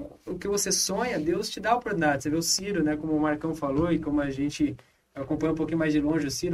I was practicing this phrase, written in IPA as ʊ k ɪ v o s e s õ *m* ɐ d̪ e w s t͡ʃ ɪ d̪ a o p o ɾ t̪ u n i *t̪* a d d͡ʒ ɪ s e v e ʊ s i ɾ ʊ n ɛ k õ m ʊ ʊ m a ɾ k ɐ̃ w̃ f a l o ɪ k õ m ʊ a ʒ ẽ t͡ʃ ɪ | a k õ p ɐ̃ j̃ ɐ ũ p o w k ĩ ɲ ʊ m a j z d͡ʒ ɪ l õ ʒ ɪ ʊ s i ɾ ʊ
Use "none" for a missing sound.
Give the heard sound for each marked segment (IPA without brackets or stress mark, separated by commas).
ɲ, d̪